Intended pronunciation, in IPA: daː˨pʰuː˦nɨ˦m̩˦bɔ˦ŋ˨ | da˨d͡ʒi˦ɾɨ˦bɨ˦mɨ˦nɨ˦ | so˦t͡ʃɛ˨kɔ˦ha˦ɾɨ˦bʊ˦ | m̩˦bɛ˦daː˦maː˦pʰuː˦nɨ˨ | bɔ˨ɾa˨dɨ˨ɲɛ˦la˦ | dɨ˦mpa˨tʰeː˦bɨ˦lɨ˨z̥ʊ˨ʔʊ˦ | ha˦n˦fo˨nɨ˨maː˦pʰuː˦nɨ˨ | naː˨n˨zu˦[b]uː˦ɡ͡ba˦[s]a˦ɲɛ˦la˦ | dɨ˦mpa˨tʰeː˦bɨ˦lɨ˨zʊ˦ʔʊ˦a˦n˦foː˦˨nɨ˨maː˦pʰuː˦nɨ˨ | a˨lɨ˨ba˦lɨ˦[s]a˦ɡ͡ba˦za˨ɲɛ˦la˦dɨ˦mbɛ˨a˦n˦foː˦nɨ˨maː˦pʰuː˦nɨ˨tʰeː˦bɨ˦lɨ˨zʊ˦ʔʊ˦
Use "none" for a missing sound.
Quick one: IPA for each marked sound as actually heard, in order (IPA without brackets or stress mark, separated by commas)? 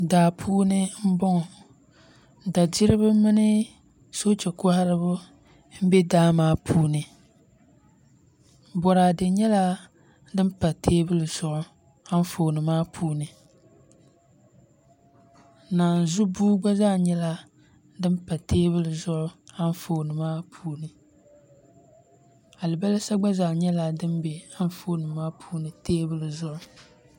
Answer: b, z, s